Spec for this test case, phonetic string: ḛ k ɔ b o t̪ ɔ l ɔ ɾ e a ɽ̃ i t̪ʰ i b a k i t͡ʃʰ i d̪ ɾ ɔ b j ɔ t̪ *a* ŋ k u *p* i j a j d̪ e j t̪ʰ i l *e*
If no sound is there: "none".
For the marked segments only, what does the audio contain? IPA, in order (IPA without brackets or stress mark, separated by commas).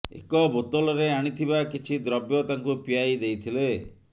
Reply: a, p, e